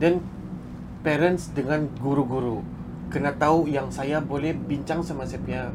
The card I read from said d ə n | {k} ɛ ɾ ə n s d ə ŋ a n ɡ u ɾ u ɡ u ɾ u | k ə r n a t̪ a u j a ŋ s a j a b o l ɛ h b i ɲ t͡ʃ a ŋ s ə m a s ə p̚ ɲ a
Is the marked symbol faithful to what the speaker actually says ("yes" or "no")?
no